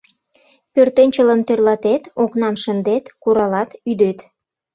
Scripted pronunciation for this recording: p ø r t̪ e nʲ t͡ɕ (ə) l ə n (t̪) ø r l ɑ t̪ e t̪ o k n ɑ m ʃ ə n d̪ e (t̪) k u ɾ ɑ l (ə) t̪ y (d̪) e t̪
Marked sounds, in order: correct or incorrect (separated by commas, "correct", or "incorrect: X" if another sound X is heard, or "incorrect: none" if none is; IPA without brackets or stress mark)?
correct, correct, correct, incorrect: ɑ, correct